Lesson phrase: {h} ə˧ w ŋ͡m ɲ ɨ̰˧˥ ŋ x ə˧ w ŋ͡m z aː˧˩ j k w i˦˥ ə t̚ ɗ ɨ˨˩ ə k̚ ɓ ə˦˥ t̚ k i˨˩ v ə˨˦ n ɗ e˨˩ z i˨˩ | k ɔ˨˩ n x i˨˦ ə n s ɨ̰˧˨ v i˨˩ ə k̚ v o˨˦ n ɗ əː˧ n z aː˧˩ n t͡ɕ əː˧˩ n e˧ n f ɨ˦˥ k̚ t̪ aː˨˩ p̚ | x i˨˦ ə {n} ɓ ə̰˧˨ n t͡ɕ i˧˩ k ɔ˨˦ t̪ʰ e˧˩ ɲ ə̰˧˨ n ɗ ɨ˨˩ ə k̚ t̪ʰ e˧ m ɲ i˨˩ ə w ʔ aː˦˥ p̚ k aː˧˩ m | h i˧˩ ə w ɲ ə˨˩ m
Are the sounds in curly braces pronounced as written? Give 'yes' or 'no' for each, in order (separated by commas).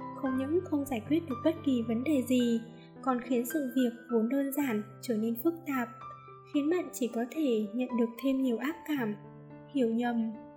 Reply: no, yes